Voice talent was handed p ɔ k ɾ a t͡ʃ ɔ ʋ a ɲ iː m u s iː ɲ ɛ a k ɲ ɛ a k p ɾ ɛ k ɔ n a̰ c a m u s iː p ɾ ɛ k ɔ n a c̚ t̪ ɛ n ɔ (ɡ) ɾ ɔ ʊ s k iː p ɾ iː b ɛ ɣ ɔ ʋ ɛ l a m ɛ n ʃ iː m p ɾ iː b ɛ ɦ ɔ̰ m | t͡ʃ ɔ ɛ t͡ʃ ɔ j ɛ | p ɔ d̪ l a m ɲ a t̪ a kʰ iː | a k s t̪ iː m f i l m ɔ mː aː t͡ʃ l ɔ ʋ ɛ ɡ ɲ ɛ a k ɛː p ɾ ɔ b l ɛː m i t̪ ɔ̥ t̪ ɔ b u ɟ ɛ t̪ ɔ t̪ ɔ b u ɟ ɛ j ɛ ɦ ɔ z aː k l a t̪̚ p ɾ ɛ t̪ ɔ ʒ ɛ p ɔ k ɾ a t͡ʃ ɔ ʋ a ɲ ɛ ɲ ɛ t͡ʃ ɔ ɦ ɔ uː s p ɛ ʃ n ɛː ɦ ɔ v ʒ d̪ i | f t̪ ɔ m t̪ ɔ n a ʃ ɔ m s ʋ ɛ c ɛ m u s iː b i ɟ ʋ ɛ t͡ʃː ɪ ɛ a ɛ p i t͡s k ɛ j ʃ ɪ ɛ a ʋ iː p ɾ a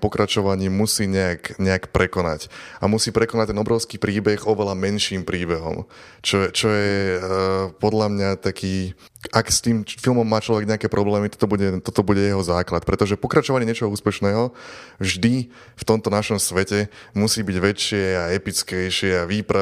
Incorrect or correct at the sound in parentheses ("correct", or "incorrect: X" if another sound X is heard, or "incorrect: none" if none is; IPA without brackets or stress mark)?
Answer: incorrect: b